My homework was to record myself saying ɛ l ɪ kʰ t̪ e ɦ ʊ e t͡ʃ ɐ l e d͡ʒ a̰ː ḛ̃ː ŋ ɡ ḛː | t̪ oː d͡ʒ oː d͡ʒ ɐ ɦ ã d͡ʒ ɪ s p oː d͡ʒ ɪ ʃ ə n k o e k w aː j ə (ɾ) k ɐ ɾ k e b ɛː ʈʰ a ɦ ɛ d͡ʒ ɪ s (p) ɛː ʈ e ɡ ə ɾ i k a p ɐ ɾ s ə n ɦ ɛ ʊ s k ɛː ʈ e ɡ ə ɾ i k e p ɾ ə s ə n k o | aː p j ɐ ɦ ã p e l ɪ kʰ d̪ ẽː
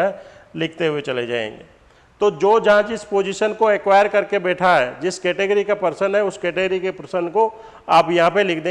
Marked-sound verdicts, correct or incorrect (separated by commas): correct, incorrect